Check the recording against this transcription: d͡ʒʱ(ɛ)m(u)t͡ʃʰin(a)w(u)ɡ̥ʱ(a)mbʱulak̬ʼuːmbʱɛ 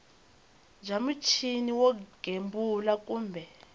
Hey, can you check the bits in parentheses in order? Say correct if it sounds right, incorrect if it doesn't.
incorrect, correct, incorrect, incorrect, incorrect

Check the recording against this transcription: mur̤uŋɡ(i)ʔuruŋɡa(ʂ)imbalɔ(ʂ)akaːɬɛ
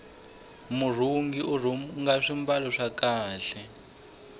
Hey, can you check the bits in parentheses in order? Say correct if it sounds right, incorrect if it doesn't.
correct, correct, correct

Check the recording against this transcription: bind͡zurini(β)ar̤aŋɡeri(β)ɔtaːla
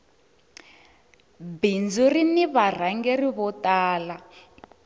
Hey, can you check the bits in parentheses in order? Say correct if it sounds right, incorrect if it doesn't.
correct, correct

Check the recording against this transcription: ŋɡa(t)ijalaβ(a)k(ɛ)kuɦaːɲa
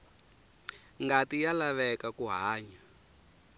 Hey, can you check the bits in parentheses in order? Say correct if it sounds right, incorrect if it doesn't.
correct, incorrect, incorrect

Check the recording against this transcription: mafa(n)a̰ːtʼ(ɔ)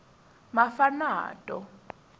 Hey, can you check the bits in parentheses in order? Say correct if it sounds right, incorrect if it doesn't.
correct, correct

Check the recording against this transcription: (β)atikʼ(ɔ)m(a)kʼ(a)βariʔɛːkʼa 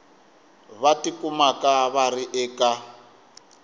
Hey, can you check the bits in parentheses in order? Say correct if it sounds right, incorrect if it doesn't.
correct, incorrect, correct, correct

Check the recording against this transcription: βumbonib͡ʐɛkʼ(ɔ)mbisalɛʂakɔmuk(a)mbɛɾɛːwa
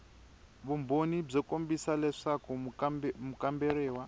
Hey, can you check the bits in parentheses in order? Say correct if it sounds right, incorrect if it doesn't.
incorrect, correct

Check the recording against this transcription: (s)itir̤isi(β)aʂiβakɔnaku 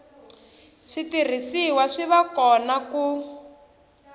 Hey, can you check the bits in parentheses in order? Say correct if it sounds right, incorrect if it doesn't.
incorrect, incorrect

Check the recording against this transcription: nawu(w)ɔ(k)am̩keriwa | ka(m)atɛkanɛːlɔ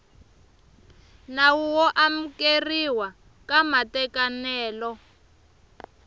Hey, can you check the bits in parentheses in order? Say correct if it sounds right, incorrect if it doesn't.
correct, incorrect, correct

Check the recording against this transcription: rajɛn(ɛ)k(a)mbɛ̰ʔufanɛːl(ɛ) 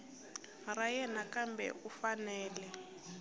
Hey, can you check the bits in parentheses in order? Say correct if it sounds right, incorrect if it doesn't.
incorrect, correct, correct

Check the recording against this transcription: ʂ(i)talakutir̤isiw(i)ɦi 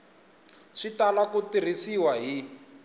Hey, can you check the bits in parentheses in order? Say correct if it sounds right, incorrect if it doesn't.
correct, incorrect

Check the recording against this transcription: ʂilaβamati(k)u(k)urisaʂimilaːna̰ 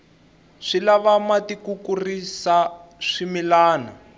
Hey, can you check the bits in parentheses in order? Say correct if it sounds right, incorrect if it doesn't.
correct, correct

